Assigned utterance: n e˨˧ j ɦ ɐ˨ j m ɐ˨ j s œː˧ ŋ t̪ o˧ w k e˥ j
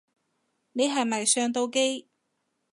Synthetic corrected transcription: n e˨˧ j ɦ ɐ˨ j m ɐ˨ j s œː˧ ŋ t̪ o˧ w k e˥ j

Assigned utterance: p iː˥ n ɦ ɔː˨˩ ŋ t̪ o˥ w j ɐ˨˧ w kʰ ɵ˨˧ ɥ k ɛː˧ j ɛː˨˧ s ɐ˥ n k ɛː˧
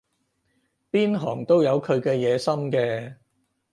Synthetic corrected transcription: p iː˥ n ɦ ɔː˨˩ ŋ t̪ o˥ w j ɐ˨˧ w kʰ ɵ˨˧ ɥ k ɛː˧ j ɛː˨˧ s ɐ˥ m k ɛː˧

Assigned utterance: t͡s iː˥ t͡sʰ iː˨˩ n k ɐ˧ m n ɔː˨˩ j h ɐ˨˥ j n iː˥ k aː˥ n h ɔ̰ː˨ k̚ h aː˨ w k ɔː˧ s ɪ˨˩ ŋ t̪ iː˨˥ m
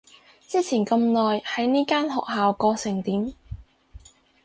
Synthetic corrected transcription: t͡s iː˥ t͡sʰ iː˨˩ n k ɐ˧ m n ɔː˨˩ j h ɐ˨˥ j n iː˥ k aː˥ n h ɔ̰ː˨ k̚ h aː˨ w k ɔː˧ s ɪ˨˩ ŋ t̪ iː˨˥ m

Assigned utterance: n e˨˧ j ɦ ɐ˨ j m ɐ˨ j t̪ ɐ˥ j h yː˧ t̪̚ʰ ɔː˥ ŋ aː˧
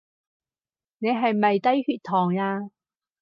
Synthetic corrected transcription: n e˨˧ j ɦ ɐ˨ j m ɐ˨ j t̪ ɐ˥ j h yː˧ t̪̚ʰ ɔː˨˩ ŋ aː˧

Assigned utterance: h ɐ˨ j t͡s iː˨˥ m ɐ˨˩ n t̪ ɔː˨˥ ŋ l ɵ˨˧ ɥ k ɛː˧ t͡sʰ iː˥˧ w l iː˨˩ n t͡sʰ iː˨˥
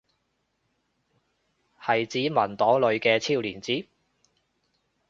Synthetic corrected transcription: h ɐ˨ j t͡s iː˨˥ m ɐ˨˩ n t̪ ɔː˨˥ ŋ l ɵ˨˧ ɥ k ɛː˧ t͡sʰ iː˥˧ w l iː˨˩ n t͡s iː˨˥

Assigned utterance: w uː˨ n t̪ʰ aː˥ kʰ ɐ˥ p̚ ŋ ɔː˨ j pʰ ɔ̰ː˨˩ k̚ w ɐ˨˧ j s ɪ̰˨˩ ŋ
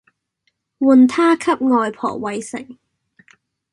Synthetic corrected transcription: w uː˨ n t̪ʰ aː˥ kʰ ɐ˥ p̚ ŋ ɔː˨ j pʰ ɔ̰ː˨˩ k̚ w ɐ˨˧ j s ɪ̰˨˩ ŋ

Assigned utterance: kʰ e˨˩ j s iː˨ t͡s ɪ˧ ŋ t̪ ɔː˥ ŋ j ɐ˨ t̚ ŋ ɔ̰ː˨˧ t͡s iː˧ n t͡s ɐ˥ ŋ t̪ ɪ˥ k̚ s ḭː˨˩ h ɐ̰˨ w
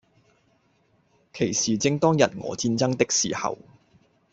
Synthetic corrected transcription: kʰ e˨˩ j s iː˨ t͡s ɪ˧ ŋ t̪ ɔː˥ ŋ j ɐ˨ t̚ ŋ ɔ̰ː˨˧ t͡s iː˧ n t͡s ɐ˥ ŋ t̪ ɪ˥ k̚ s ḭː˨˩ h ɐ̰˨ w

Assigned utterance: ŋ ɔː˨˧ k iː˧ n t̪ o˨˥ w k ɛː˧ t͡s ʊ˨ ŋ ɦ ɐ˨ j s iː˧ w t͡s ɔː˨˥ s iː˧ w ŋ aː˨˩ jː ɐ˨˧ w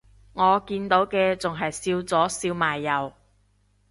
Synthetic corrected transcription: ŋ ɔː˨˧ k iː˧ n t̪ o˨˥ w k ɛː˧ t͡s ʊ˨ ŋ ɦ ɐ˨ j s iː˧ w t͡s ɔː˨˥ s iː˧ w m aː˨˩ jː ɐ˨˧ w

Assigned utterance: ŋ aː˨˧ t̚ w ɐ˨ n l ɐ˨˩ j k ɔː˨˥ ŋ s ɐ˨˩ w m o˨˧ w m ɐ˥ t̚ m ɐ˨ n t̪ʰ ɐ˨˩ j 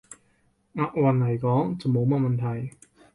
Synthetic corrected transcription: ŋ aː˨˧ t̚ w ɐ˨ n l ɐ˨˩ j k ɔː˨˥ ŋ t͡s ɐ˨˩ w m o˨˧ w m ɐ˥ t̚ m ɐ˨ n t̪ʰ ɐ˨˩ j

